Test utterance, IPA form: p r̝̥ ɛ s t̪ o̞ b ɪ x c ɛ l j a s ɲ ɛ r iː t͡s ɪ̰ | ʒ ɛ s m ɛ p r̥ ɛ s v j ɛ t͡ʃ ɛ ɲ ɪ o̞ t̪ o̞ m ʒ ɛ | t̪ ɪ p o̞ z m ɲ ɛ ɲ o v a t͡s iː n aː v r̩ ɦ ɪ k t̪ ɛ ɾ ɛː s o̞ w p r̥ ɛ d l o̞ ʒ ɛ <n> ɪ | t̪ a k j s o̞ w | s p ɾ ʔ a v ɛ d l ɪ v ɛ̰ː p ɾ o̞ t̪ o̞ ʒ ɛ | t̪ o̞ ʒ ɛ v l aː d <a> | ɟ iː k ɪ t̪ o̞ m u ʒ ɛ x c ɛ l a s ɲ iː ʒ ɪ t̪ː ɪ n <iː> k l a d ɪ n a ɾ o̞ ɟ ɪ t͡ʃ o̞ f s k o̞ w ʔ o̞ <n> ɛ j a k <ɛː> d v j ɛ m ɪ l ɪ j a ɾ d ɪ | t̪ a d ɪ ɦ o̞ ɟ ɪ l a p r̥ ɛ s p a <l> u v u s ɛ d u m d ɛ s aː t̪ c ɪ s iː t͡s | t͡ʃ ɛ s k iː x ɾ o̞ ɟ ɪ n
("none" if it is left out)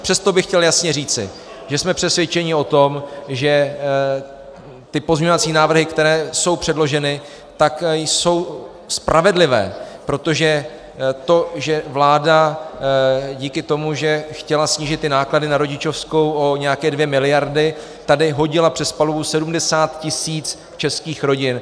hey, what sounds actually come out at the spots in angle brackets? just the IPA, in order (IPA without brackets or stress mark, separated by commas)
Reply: n, a, aː, ɲ, ɛː, l